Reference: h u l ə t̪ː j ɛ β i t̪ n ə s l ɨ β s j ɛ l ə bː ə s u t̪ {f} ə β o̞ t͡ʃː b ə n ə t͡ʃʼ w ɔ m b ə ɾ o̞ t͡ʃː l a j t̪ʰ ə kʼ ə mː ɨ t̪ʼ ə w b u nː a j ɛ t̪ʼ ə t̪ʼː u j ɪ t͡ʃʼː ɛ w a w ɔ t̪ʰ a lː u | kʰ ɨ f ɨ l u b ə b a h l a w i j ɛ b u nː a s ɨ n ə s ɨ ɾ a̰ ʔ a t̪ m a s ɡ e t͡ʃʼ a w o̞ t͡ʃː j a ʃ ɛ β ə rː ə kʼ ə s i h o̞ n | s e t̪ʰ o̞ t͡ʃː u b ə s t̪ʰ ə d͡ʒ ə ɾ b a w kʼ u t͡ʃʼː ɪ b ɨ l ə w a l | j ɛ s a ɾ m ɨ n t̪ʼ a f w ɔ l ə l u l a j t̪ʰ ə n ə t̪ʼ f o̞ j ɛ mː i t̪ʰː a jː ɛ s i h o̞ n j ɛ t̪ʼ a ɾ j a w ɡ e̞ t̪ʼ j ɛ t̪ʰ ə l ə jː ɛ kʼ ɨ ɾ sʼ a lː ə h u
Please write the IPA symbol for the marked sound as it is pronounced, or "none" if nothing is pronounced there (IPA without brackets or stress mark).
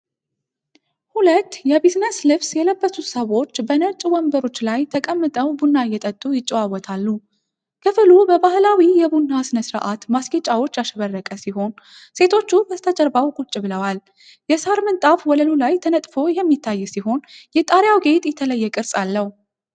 s